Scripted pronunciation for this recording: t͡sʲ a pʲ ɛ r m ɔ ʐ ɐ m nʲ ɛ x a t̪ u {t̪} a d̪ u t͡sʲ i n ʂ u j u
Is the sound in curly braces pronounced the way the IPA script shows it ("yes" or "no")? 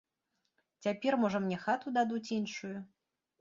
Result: no